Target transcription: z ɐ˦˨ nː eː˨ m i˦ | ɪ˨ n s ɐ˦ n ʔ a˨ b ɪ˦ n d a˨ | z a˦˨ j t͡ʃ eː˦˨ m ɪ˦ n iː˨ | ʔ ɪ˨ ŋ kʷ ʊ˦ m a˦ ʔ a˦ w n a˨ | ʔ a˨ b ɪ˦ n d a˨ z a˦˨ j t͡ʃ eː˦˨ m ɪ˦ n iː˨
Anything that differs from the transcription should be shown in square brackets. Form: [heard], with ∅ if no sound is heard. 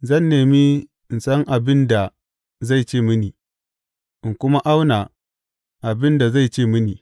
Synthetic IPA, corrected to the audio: z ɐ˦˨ nː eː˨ m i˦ | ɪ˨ n s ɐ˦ [ŋ] ʔ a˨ b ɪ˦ n d a˨ | z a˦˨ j t͡ʃ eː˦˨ m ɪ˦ n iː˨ | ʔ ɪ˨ ŋ kʷ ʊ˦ m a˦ ʔ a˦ w n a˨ | ʔ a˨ b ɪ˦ n d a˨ z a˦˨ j t͡ʃ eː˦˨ m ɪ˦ n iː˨

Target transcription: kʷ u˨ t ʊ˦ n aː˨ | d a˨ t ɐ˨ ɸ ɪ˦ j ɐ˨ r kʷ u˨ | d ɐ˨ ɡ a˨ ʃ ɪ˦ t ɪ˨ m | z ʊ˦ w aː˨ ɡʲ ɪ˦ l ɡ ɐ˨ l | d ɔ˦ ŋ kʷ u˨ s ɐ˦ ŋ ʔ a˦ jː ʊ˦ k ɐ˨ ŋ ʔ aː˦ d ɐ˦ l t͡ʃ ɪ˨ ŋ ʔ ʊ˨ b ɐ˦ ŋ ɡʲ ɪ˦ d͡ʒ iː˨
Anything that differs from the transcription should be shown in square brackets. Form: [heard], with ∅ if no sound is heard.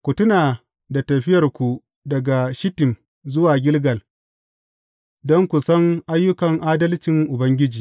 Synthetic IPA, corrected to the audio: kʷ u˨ t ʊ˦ n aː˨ | d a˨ t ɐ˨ ɸ ɪ˦ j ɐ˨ r kʷ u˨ | d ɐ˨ ɡ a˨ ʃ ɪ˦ t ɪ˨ m | z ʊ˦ w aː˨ ɡʲ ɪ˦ l ɡ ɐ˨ l | d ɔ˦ ŋ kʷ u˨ s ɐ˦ ŋ ʔ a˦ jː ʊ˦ k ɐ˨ ŋ ʔ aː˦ d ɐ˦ l t͡ʃ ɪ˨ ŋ ʔ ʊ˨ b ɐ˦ ŋ ɡʲ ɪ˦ d͡ʒ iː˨

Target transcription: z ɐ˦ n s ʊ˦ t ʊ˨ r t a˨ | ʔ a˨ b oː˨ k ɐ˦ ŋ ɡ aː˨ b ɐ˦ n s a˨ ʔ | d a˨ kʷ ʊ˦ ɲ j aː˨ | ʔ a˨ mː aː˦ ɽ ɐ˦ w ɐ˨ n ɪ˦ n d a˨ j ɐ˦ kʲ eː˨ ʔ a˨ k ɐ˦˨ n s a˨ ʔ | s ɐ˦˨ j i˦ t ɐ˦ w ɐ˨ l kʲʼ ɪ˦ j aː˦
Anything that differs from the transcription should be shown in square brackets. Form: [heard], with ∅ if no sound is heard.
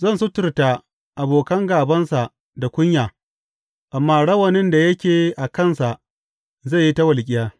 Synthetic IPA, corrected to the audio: z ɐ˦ n s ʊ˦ t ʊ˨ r t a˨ | ʔ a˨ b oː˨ k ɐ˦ ŋ ɡ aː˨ b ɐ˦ n s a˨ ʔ | d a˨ kʷ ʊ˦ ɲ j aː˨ | ʔ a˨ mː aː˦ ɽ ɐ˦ w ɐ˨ n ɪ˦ n d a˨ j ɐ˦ kʲ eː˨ ʔ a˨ k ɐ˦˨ n s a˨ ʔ | [z] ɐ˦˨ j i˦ t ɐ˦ w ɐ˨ l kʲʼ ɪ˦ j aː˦

